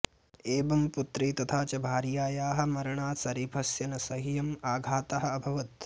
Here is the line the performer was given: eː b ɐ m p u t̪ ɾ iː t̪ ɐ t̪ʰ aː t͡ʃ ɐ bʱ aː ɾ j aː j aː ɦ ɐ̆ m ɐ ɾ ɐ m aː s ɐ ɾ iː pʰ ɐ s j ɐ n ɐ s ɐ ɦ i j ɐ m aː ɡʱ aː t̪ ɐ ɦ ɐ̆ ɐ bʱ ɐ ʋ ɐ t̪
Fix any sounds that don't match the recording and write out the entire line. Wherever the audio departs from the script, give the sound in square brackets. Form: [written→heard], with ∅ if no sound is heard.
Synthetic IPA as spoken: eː b ɐ m p u t̪ ɾ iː t̪ ɐ t̪ʰ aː t͡ʃ ɐ bʱ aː ɾ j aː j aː ɦ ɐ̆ m ɐ ɾ ɐ [m→ɳ] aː s ɐ ɾ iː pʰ ɐ s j ɐ n ɐ s ɐ ɦ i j ɐ m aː ɡʱ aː t̪ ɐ ɦ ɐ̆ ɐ bʱ ɐ ʋ ɐ t̪